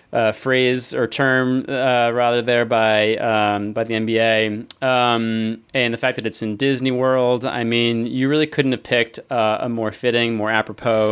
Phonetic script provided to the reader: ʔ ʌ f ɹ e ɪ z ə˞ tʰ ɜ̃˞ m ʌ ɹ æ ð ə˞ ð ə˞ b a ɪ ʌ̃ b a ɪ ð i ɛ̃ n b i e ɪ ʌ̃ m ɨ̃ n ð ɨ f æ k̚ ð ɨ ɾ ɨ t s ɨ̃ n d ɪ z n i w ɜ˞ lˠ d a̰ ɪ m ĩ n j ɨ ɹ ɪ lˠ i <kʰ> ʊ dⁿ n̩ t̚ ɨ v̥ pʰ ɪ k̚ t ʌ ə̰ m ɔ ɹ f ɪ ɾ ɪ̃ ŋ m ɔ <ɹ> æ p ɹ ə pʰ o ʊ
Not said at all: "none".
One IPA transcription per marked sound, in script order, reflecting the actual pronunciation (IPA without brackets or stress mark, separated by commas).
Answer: kʰ, ɹ